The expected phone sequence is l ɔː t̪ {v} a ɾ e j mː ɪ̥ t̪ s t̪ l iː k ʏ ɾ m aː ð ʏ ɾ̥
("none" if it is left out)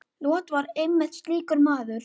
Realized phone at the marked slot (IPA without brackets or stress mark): v